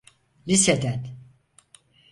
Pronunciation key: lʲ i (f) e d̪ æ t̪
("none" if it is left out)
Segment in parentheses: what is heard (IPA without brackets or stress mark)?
s